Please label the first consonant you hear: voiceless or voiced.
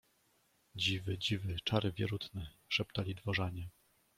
voiced